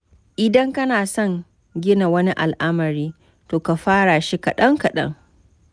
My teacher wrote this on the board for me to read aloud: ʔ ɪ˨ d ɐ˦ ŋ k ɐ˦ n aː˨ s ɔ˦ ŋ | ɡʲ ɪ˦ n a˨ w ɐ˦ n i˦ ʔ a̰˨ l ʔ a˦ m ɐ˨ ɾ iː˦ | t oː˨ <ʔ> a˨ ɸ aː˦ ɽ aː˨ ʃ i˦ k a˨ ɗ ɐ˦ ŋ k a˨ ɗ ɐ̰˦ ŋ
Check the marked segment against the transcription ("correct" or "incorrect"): incorrect